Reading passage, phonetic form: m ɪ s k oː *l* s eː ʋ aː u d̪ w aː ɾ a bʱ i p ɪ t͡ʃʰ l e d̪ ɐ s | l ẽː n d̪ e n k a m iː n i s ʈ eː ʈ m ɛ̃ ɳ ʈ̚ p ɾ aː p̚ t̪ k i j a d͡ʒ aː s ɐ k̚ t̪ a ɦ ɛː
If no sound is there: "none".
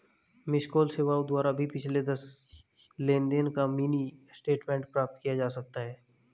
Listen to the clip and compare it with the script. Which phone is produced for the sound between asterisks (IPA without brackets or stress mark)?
l